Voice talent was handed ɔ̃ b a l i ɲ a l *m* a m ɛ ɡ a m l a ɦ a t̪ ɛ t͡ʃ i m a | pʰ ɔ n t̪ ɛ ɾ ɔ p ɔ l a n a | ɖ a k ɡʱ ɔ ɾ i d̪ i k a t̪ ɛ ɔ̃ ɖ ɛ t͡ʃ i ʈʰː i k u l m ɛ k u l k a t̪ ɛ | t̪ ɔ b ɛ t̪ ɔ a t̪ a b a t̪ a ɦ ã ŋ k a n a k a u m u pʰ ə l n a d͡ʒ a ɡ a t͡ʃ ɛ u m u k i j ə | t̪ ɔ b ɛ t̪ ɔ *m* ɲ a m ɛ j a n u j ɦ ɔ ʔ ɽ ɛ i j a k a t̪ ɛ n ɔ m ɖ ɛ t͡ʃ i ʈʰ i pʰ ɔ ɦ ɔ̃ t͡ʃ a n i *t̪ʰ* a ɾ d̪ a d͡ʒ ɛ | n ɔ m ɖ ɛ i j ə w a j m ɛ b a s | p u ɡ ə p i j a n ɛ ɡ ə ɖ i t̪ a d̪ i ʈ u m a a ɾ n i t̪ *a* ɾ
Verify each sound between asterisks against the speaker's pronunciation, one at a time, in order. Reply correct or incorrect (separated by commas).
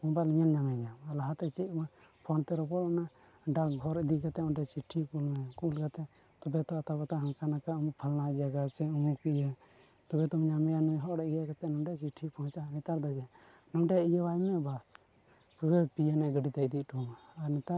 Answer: incorrect, correct, incorrect, correct